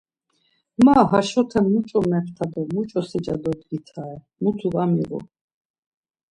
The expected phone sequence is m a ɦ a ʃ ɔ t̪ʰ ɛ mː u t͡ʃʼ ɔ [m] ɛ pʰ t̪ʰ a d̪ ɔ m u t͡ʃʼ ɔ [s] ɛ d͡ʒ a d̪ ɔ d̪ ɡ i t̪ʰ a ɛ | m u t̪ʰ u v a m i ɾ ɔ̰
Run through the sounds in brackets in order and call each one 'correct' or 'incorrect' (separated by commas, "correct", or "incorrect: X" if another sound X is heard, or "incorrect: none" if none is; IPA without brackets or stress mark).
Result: correct, correct